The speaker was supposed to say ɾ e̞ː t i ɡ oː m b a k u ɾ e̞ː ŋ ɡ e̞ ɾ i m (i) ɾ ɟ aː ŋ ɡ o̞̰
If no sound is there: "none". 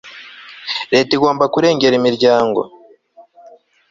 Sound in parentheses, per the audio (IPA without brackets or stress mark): i